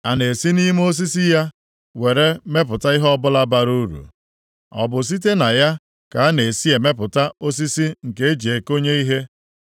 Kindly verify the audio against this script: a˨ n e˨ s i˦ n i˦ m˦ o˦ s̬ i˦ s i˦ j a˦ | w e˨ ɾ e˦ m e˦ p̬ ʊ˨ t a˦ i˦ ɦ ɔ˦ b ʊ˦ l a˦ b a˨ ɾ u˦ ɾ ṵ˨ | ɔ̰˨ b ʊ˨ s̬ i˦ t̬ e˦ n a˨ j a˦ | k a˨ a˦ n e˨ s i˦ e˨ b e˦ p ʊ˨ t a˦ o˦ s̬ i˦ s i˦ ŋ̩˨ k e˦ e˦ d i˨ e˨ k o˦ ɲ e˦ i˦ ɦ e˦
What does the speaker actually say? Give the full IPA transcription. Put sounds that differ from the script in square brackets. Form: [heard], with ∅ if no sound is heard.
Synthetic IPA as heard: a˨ n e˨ s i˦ n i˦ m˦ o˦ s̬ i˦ s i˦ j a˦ | w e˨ ɾ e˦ m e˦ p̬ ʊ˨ t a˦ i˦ ɦ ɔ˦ b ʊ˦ l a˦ b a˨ ɾ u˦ ɾ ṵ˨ | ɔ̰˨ b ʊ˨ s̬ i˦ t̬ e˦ n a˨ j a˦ | k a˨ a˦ n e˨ s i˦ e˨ [m] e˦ p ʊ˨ t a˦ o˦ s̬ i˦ s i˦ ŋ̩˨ k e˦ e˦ [d͡ʒ] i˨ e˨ k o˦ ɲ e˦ i˦ ɦ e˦